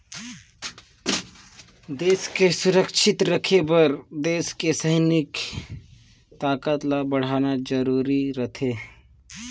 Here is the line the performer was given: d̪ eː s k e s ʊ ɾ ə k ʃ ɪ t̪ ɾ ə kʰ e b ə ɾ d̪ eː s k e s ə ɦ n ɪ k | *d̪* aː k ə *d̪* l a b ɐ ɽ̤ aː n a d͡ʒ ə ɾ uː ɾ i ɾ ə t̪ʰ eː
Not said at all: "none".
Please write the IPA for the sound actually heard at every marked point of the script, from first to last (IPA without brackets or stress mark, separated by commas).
t̪, t̪